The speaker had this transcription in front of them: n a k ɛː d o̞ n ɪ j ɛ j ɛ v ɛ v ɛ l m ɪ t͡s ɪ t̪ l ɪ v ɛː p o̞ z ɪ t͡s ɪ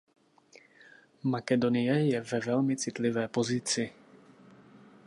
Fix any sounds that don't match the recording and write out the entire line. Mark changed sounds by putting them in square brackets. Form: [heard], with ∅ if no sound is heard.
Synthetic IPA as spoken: [m] a k [ɛ] d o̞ n ɪ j ɛ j ɛ v ɛ v ɛ l m ɪ t͡s ɪ t̪ l ɪ v ɛː p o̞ z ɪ t͡s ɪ